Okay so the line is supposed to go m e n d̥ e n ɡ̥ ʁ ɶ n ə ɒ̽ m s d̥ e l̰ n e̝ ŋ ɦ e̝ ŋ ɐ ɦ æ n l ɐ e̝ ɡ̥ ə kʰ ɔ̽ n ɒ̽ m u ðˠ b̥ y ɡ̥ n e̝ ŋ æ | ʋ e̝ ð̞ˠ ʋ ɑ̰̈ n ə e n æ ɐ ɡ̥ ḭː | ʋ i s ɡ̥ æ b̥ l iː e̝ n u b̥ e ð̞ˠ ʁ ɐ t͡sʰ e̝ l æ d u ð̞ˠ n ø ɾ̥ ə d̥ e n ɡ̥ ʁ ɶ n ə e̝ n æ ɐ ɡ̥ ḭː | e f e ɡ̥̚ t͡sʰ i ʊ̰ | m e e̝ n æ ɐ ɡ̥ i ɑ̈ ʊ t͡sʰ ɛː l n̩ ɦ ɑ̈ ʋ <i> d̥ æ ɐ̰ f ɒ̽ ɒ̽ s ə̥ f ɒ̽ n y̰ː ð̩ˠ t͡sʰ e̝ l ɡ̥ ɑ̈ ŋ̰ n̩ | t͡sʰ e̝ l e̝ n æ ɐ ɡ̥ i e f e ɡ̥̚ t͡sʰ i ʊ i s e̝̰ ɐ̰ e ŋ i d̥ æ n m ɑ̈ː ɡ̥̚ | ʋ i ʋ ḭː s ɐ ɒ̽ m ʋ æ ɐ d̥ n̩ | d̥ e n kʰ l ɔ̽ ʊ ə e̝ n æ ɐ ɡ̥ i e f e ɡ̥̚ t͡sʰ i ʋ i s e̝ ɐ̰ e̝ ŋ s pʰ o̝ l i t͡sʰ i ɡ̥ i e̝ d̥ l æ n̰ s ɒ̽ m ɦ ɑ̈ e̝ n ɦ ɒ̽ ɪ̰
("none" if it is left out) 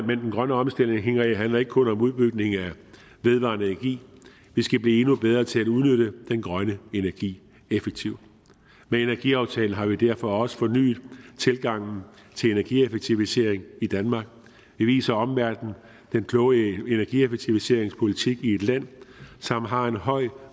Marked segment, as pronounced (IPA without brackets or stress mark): i